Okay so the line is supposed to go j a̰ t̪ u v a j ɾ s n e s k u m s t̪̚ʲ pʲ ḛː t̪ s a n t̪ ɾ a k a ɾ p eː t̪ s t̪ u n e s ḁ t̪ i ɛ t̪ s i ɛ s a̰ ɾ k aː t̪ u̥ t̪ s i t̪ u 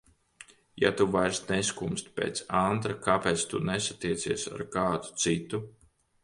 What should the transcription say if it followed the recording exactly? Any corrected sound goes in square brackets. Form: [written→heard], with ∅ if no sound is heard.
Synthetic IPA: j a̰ t̪ u v a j ɾ s n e s k u m s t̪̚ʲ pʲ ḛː t̪ s a n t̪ ɾ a k a [ɾ→∅] p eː t̪ s t̪ u n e s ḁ t̪ i ɛ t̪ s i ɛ s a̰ ɾ k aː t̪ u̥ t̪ s i t̪ u

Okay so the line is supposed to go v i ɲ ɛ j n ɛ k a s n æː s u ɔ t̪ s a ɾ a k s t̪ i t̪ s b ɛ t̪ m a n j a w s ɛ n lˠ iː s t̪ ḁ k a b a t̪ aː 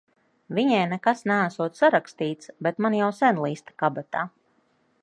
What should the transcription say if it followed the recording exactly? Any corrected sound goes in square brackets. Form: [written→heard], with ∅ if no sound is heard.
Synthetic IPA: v i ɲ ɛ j n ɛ k a s n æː s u ɔ t̪ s a ɾ a k s t̪ [i→iː] t̪ s b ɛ t̪ m a n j a w s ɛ n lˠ iː s t̪ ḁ k a b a t̪ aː

